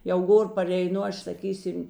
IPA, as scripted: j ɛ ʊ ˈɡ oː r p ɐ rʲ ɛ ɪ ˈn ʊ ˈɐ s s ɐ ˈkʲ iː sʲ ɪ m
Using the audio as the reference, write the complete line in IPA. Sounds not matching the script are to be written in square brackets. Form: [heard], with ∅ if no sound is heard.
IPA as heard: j ɛ ʊ ˈɡ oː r p ɐ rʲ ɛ ɪ ˈn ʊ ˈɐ [ʃ] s ɐ ˈkʲ iː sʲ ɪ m